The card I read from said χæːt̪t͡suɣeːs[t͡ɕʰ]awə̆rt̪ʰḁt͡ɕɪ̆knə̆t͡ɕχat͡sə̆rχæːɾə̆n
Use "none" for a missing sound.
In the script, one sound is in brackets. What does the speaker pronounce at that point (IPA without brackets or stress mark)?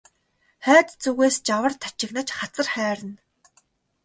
t͡ɕ